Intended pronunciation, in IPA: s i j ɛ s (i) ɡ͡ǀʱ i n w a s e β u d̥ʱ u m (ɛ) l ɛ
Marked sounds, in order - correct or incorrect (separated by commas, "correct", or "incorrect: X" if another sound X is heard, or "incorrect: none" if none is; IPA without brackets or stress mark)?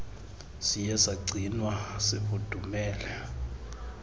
incorrect: a, incorrect: ɛː